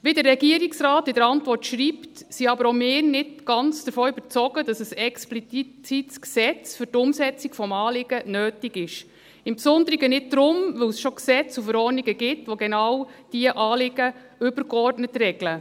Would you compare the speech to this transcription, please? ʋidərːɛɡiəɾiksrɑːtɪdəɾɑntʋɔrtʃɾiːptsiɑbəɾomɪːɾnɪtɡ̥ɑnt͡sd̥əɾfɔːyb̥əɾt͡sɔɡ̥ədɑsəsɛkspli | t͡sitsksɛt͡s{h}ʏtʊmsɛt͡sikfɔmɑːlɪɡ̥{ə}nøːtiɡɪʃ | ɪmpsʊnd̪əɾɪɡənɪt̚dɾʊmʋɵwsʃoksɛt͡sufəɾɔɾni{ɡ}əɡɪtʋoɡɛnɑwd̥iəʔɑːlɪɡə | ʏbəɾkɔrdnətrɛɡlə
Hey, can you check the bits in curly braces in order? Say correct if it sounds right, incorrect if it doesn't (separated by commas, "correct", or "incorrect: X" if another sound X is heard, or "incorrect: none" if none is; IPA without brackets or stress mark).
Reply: incorrect: f, correct, correct